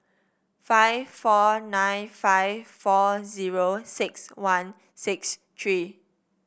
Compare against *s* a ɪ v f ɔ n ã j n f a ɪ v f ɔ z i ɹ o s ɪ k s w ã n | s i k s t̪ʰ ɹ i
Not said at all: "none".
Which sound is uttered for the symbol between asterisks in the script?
f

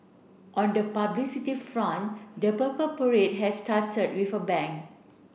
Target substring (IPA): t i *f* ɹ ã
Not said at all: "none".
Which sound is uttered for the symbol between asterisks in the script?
f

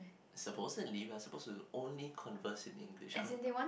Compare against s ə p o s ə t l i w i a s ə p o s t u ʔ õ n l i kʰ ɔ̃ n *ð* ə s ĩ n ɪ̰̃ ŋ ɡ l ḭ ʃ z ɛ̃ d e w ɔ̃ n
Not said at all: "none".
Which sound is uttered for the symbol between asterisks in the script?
v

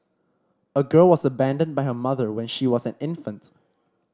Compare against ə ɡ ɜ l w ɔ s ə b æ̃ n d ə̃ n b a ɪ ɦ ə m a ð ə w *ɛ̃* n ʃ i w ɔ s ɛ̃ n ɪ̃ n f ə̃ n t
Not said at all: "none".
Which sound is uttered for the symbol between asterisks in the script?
ɛ̃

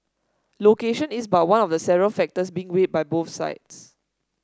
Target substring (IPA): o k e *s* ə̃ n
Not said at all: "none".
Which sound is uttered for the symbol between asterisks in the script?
ʃ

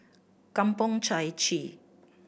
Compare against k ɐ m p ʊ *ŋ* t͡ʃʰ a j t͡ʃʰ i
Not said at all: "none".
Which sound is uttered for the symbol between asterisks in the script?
ŋ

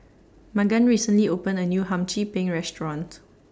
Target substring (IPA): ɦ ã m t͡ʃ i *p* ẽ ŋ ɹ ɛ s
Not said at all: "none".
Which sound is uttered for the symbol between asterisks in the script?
p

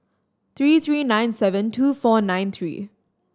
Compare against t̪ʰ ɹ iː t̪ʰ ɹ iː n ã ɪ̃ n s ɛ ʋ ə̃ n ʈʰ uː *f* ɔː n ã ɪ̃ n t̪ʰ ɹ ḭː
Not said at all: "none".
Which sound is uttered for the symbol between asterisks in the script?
f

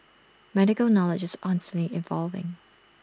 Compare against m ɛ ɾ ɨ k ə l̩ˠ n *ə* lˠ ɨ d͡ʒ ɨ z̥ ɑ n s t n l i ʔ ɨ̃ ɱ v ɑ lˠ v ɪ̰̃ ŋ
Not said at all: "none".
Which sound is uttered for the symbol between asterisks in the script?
ɑ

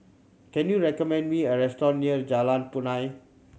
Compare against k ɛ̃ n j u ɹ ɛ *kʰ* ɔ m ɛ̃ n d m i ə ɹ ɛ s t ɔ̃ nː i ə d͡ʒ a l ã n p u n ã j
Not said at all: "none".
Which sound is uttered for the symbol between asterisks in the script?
k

